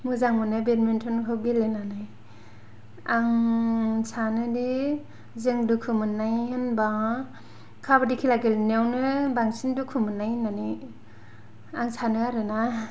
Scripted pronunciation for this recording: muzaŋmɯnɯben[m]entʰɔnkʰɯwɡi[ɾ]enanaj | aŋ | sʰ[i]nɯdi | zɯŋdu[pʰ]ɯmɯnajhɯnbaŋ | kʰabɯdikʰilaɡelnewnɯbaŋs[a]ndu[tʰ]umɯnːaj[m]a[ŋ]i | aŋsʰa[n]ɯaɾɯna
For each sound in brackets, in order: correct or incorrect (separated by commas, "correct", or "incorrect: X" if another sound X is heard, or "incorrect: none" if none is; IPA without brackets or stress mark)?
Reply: correct, incorrect: l, incorrect: a, incorrect: kʰ, incorrect: i, incorrect: kʰ, incorrect: n, incorrect: n, correct